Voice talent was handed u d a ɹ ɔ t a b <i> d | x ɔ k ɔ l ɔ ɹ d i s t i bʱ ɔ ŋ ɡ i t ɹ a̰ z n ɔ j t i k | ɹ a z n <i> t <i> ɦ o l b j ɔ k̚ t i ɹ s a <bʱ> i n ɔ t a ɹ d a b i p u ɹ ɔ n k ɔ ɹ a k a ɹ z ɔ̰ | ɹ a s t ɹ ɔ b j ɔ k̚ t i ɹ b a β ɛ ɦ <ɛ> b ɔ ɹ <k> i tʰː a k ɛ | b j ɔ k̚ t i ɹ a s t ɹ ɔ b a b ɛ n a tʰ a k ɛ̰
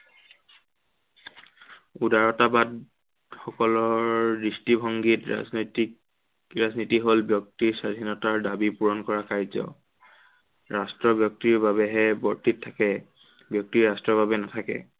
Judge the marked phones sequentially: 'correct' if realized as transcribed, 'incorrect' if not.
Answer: incorrect: a, correct, correct, incorrect: dʱ, correct, incorrect: t

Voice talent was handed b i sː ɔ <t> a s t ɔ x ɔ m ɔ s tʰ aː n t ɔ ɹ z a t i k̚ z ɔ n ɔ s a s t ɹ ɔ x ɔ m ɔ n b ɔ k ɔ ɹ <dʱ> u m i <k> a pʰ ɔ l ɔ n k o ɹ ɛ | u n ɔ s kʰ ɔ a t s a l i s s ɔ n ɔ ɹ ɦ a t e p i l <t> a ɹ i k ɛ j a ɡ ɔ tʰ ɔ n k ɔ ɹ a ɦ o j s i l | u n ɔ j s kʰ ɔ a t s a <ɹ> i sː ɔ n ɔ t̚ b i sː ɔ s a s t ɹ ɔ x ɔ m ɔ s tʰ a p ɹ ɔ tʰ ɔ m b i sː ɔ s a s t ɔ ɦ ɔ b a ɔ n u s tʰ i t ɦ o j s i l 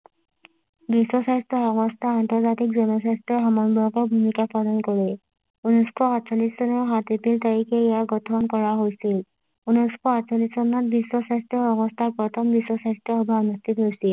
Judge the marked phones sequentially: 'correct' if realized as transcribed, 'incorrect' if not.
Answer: incorrect: s, incorrect: bʱ, correct, correct, incorrect: l

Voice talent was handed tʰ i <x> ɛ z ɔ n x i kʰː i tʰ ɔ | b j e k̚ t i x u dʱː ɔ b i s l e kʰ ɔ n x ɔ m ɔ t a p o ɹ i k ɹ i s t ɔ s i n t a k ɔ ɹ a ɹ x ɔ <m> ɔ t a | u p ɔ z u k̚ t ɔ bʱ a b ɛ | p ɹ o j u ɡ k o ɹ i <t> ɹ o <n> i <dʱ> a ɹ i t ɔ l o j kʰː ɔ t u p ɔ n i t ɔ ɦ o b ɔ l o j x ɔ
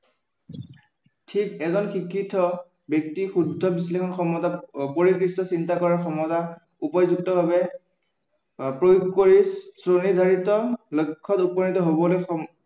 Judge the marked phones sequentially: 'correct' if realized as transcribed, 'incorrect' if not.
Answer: incorrect: k, correct, incorrect: s, correct, correct

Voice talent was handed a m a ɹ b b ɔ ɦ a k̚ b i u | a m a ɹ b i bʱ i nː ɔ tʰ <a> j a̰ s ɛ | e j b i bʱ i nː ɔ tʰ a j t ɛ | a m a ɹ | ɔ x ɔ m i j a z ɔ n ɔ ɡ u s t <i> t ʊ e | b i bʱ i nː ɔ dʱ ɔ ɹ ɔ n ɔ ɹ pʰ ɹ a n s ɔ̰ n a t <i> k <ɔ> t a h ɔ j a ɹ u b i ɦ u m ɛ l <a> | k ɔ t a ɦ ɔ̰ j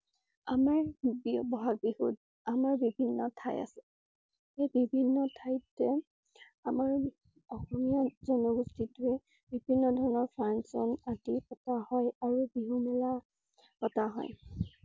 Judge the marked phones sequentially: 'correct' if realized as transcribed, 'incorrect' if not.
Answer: correct, correct, correct, correct, correct

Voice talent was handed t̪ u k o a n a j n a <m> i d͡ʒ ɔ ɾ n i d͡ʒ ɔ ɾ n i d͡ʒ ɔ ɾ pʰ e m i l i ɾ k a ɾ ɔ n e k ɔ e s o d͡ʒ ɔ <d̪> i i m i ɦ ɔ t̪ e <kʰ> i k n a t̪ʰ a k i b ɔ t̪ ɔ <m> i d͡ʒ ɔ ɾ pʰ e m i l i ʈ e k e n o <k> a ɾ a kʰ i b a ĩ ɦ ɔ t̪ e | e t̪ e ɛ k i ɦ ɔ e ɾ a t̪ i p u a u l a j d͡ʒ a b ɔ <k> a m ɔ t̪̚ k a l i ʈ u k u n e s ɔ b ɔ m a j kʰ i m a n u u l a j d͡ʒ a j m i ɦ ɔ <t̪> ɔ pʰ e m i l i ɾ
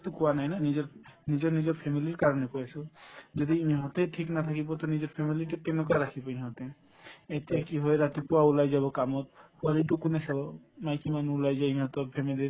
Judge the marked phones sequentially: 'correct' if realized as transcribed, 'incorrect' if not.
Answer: incorrect: n, correct, incorrect: ʈʰ, incorrect: n, correct, correct, correct

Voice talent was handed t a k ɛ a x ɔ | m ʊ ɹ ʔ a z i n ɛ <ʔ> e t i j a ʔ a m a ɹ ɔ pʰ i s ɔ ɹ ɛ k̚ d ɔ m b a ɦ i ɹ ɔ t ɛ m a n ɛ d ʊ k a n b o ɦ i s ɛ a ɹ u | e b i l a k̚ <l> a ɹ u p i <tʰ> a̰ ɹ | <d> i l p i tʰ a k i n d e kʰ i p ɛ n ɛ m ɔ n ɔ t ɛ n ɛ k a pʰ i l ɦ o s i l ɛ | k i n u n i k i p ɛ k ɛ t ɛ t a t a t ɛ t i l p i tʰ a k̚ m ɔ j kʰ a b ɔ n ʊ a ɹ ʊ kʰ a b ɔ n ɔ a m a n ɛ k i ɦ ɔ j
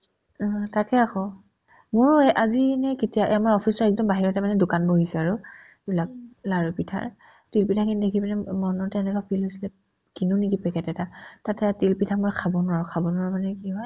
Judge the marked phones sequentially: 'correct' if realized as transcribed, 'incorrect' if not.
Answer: incorrect: k, correct, correct, incorrect: t

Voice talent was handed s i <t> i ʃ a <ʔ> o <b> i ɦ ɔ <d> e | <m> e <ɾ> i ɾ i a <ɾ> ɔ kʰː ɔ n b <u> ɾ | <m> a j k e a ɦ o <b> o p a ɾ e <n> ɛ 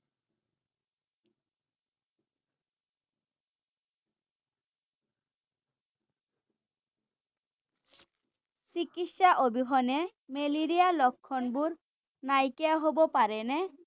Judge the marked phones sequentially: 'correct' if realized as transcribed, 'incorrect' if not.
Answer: incorrect: k, correct, correct, incorrect: n, correct, incorrect: l, incorrect: l, correct, incorrect: n, correct, correct

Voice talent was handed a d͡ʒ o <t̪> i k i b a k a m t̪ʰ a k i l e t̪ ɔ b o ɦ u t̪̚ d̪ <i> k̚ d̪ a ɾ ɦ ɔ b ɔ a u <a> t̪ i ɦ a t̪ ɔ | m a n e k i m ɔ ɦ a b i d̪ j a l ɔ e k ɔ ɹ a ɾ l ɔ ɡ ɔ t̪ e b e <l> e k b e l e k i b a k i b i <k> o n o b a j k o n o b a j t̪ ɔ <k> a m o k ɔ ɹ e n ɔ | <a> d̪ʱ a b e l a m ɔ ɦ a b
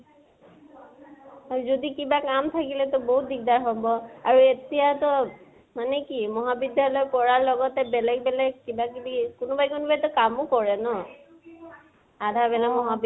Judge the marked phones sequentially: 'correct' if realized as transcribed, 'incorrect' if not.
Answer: incorrect: d̪, correct, incorrect: e, correct, correct, correct, correct

